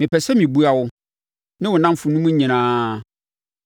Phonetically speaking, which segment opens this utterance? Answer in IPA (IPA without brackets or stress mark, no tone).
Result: m